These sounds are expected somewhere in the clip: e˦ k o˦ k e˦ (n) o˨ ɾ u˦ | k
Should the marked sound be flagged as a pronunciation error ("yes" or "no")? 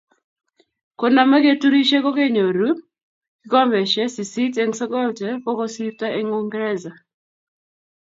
yes